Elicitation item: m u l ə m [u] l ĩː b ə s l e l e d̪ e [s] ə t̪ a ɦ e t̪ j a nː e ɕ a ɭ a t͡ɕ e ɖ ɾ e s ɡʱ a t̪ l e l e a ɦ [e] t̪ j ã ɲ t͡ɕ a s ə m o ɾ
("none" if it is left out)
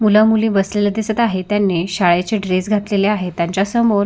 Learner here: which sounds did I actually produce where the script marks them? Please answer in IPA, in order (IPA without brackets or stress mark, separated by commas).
u, s, e